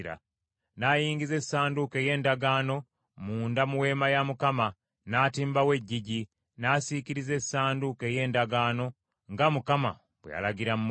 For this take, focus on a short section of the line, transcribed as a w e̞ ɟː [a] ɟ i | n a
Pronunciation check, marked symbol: incorrect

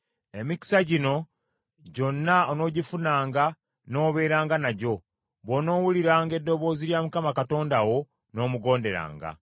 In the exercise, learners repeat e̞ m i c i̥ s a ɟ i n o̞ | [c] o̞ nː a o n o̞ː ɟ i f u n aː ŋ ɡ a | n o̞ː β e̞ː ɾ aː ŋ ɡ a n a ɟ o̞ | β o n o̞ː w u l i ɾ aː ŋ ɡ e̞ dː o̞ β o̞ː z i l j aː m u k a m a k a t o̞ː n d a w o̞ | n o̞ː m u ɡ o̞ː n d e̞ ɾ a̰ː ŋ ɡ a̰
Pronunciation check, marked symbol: incorrect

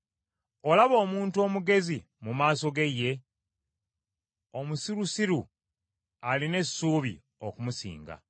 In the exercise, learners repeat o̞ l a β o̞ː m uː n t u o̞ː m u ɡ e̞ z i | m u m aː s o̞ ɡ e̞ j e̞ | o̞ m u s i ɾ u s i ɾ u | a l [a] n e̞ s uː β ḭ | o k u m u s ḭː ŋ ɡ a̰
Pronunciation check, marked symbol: incorrect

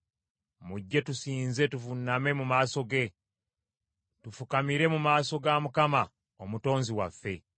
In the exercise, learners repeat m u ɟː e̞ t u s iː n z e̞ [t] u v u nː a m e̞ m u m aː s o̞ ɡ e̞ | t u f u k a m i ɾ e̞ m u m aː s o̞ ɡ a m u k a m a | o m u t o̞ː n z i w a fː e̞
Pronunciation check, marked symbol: correct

